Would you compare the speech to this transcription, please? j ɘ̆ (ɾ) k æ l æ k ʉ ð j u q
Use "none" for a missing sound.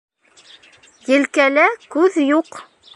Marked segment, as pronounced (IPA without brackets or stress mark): l